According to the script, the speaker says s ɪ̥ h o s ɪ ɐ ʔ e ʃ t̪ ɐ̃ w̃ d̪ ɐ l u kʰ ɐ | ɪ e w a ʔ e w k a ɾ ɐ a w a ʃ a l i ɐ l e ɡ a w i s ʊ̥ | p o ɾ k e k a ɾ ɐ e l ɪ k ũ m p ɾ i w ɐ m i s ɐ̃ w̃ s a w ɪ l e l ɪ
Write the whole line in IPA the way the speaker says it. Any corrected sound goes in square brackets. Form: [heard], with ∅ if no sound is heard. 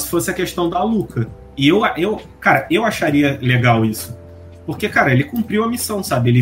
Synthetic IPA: s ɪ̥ [f] o s ɪ ɐ [k] e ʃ t̪ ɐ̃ w̃ d̪ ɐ l u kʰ ɐ | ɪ e w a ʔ e w k a ɾ ɐ [e] w a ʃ a [ɾ] i ɐ l e ɡ a w i s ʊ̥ | p o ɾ k e k a ɾ ɐ e l ɪ k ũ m p ɾ i w ɐ m i s ɐ̃ w̃ s a [b] ɪ [∅] e l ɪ